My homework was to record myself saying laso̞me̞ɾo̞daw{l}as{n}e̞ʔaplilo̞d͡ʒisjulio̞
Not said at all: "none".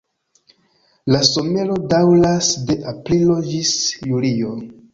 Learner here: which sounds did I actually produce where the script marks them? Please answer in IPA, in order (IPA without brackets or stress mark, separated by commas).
l, d